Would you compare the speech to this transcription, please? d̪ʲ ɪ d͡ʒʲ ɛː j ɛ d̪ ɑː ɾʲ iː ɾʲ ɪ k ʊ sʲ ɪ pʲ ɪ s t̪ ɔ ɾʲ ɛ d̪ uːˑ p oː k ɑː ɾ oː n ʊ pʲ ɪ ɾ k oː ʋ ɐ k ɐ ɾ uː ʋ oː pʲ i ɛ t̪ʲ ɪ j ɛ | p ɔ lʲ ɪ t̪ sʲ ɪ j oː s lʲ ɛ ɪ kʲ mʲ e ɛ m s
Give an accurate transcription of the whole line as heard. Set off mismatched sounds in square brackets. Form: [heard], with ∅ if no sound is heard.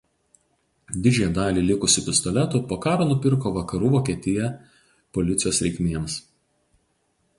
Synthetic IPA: d̪ʲ ɪ d͡ʒʲ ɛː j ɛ d̪ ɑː [lʲ] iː [lʲ] ɪ k ʊ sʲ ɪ pʲ ɪ s t̪ ɔ [lʲ] ɛ [t̪] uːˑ p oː k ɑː ɾ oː n ʊ pʲ ɪ ɾ k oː ʋ ɐ k ɐ ɾ uː ʋ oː [kʲ] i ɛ t̪ʲ ɪ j ɛ | p ɔ lʲ ɪ t̪ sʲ ɪ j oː s [ɾʲ] ɛ ɪ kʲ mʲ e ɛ m s

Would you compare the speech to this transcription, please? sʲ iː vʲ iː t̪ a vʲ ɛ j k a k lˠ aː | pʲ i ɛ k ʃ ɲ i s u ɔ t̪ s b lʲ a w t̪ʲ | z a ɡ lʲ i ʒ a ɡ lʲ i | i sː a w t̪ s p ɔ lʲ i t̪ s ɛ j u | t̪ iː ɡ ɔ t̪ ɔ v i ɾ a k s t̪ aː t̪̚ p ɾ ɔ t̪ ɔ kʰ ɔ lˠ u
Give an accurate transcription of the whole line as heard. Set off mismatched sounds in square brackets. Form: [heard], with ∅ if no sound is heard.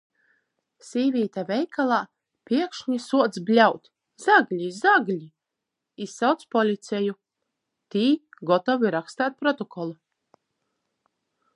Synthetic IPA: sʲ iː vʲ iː t̪ a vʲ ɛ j k a [∅] lˠ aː | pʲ i ɛ k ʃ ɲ i s u ɔ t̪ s b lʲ a w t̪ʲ | z a ɡ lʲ i [z] a ɡ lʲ i | i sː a w t̪ s p ɔ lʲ i t̪ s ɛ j u | t̪ iː ɡ ɔ t̪ ɔ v i ɾ a k s t̪ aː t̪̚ p ɾ ɔ t̪ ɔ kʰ ɔ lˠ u

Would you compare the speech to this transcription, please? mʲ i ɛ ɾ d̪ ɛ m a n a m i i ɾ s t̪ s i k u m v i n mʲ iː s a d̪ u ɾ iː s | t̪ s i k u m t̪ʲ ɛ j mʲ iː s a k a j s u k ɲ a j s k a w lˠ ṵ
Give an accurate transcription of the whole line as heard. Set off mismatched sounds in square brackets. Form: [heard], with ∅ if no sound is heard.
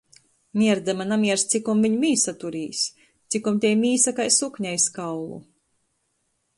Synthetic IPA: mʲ i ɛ ɾ d̪ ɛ m a n a m i [ɛ] ɾ s t̪ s i k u m v i [ɲ] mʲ iː s a [t̪] u ɾ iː s | t̪ s i k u m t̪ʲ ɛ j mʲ iː s a k a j s u k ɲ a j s k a w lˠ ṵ

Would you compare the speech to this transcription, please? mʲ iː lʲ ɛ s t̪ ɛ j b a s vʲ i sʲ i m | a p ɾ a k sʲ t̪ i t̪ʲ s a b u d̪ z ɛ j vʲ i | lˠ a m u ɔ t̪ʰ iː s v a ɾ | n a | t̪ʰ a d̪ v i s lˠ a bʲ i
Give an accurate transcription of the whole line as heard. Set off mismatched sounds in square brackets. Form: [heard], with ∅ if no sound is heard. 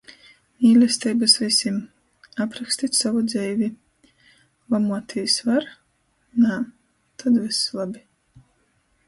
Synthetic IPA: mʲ iː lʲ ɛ s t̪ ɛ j b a s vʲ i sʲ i m | a p ɾ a k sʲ t̪ i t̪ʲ s a [v] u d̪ z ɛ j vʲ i | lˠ a m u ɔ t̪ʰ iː s v a ɾ | n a | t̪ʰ a d̪ v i s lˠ a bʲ i

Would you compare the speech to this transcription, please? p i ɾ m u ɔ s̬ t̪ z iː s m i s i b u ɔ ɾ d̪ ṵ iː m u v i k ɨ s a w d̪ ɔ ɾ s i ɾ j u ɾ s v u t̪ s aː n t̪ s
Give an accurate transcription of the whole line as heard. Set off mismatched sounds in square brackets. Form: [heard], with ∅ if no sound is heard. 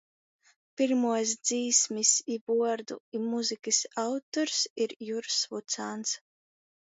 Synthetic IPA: p i ɾ m u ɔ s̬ [d̪] z iː s m i s i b u ɔ ɾ d̪ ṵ [i] m u [z] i k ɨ s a w [t̪] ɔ ɾ s i ɾ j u ɾ s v u t̪ s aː n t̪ s

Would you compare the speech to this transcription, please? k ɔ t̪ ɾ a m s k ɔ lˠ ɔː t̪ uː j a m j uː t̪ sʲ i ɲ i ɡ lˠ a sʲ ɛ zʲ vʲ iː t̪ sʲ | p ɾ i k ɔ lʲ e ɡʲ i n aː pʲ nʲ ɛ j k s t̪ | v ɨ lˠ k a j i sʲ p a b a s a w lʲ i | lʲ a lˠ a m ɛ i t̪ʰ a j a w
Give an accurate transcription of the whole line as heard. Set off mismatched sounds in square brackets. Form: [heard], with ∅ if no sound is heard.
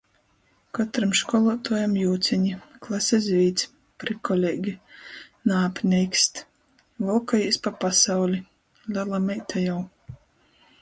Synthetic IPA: k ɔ t̪ ɾ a m [ʃ] k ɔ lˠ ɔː t̪ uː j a m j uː t̪ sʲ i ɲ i [k] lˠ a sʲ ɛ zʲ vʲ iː t̪ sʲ | p ɾ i k ɔ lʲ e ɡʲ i n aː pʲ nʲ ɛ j k s t̪ | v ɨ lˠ k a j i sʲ p a [p] a s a w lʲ i | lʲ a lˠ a m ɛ [j] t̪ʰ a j a w

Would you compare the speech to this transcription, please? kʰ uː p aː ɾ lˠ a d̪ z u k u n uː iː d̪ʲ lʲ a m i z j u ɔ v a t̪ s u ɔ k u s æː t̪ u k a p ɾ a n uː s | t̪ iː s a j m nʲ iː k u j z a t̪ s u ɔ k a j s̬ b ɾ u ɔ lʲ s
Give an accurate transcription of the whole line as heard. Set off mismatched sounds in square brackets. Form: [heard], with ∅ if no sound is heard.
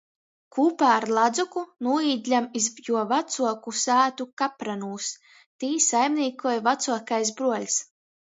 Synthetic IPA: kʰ uː p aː ɾ lˠ a d̪ z u k u n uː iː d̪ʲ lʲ a m i z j u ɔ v a t̪ s u ɔ k u s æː t̪ u k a p ɾ a n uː s | t̪ iː s a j m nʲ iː k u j [v] a t̪ s u ɔ k a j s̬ b ɾ u ɔ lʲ s

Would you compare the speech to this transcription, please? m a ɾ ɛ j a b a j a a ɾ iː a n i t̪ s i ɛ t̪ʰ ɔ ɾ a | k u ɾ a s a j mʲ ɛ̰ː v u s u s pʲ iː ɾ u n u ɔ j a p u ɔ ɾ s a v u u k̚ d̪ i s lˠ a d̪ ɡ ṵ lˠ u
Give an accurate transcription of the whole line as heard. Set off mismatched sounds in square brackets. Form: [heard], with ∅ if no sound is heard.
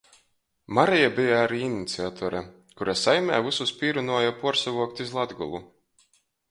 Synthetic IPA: m a ɾ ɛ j a b [i] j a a ɾ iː [i] n i t̪ s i [a] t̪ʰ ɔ ɾ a | k u ɾ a s a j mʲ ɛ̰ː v u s u s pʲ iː ɾ u n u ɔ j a p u ɔ ɾ s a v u [ɔ] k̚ [t̪] i [z] lˠ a d̪ ɡ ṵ lˠ u

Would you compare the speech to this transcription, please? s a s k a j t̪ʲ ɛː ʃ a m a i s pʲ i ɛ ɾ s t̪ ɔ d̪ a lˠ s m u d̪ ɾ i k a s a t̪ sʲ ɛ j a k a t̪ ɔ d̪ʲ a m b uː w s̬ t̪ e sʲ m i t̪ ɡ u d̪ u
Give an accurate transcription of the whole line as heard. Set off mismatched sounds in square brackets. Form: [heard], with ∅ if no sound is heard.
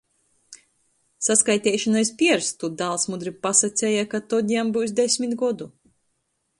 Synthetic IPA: s a s k a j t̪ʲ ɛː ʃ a [n] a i s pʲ i ɛ ɾ s t̪ [u] d̪ a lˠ s m u d̪ ɾ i [p] a s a t̪ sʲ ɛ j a k a t̪ ɔ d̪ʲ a m b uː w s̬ [d̪] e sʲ m i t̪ ɡ [ɔ] d̪ u

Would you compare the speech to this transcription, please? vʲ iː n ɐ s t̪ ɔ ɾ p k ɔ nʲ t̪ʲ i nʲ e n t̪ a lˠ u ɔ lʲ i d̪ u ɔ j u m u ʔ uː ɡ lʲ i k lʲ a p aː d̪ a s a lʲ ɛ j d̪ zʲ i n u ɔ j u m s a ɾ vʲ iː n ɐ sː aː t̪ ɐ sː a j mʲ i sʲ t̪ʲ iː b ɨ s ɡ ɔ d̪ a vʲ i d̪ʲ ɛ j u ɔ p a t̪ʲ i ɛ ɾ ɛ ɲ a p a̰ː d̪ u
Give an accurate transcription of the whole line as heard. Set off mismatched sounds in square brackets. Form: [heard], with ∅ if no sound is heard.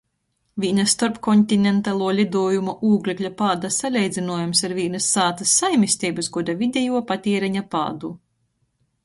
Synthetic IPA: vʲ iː n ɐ s t̪ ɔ ɾ p k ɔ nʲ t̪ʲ i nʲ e n t̪ a lˠ u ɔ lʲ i d̪ u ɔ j u m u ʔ uː ɡ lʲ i k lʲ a p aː d̪ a s a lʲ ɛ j d̪ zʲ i n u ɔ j u m s a ɾ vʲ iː n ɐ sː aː t̪ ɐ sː a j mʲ i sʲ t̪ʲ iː b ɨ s ɡ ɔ d̪ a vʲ i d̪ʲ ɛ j u ɔ p a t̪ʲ i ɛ ɾ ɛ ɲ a p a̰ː d̪ u

